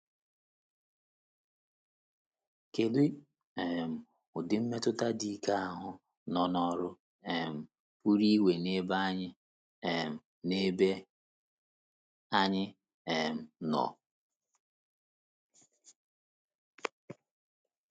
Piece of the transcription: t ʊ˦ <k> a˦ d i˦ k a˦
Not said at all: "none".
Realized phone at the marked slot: t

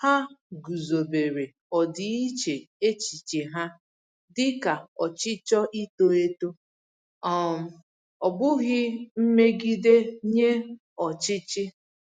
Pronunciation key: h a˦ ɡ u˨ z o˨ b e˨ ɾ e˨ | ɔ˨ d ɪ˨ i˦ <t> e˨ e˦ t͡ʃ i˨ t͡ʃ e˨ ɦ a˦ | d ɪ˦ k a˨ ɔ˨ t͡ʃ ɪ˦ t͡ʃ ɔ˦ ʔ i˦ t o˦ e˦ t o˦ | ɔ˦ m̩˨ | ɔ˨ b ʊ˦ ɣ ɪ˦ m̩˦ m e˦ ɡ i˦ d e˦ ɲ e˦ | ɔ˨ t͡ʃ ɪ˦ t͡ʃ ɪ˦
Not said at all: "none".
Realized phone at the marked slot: t͡ʃ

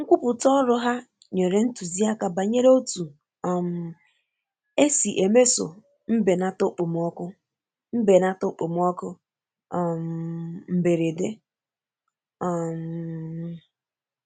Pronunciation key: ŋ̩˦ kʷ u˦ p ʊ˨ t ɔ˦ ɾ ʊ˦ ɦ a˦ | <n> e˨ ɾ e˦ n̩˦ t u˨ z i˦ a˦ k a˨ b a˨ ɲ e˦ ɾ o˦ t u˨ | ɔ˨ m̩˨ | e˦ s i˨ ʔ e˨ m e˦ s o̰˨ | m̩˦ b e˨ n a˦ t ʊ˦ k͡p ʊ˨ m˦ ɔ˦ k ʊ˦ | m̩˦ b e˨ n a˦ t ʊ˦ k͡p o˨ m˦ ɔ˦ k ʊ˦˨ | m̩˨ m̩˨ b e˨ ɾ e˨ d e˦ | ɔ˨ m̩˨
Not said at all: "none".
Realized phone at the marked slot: ɲ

